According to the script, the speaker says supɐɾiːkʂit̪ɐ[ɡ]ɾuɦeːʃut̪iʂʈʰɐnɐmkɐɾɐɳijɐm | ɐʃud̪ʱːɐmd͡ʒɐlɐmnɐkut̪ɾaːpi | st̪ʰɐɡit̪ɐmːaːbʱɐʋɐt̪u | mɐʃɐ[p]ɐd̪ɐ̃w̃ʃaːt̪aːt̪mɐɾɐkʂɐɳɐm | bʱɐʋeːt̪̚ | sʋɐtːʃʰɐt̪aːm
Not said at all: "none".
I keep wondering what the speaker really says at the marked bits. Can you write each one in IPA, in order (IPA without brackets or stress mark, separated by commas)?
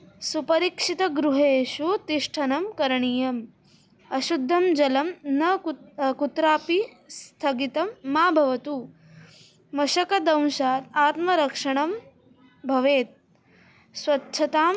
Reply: ɡ, k